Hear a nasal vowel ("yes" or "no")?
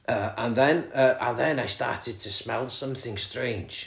yes